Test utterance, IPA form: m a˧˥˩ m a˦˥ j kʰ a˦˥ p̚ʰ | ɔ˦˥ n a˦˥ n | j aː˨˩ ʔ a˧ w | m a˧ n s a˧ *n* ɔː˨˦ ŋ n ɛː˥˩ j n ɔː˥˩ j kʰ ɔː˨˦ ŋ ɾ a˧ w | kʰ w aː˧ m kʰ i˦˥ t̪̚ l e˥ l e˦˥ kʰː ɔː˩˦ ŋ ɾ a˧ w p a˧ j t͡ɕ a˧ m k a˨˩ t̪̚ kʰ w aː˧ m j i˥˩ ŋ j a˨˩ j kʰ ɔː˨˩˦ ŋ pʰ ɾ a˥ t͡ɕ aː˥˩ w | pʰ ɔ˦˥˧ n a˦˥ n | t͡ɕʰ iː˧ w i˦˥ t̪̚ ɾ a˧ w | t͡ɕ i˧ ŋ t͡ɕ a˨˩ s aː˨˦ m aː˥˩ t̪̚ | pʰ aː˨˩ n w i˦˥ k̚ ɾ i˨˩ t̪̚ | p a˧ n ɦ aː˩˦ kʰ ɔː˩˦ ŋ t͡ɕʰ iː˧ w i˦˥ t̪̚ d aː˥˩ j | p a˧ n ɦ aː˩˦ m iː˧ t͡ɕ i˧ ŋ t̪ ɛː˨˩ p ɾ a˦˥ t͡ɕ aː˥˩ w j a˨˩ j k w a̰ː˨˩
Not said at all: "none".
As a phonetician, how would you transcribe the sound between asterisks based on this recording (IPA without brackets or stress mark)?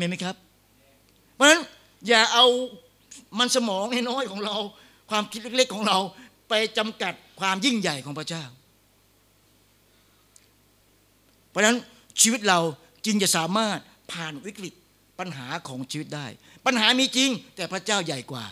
m